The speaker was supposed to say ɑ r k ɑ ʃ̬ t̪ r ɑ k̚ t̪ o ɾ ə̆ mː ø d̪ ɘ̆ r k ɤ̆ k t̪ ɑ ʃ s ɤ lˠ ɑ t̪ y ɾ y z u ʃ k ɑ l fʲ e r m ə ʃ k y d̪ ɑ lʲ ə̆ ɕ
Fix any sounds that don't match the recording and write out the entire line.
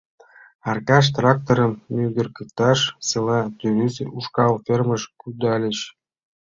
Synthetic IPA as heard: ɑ r k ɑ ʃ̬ t̪ r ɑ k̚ t̪ o ɾ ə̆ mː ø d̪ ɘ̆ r k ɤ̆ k t̪ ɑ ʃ s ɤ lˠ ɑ t̪ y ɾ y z u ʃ k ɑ l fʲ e r m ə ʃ k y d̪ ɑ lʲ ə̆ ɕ